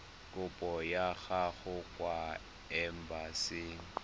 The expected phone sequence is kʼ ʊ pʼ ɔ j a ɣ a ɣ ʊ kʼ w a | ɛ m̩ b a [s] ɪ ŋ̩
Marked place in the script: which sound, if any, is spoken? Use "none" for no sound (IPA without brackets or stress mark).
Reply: s